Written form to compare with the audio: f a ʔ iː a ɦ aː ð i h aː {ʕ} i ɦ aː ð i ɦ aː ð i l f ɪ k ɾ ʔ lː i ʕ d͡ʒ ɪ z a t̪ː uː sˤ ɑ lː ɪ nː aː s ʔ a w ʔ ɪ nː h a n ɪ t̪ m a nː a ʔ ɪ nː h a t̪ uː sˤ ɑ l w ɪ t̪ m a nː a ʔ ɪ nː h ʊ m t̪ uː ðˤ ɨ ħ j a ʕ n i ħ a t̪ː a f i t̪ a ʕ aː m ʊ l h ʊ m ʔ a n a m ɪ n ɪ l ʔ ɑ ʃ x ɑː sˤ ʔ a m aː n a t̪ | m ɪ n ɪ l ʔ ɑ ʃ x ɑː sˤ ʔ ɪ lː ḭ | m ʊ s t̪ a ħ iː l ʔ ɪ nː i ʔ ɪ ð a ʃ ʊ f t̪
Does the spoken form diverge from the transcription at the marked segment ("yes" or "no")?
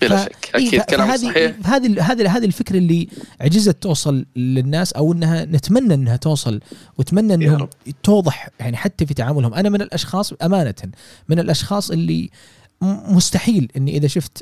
yes